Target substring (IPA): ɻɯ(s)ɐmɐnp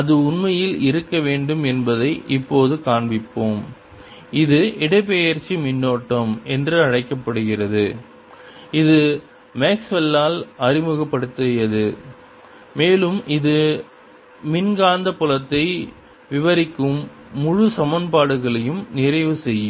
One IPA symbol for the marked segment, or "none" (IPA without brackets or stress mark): s